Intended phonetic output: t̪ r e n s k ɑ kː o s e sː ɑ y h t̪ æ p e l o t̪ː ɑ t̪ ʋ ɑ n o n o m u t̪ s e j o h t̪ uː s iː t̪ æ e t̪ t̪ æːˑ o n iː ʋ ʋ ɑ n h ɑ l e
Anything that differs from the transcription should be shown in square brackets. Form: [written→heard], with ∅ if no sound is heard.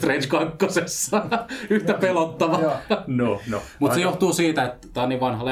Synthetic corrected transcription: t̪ r e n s k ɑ kː o s e sː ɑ y h t̪ æ p e l o t̪ː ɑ [t̪→∅] ʋ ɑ n o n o m u t̪ s e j o h t̪ uː s iː t̪ æ e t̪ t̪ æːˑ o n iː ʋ ʋ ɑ n h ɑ l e